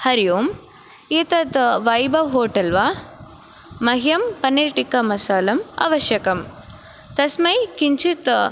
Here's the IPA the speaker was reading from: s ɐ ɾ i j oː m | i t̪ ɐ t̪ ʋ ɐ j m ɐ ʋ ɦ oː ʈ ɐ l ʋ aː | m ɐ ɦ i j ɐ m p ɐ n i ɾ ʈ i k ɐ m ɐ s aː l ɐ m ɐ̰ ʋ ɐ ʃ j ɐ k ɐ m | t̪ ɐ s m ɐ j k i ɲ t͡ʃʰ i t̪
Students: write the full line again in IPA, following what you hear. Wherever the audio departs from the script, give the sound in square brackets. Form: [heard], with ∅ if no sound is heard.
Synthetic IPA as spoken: [h] ɐ ɾ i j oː m | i t̪ ɐ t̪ ʋ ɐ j [b] ɐ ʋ ɦ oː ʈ ɐ l ʋ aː | m ɐ ɦ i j ɐ m p ɐ n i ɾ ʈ i k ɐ m ɐ s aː l ɐ m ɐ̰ ʋ ɐ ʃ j ɐ k ɐ m | t̪ ɐ s m ɐ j k i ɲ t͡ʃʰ i t̪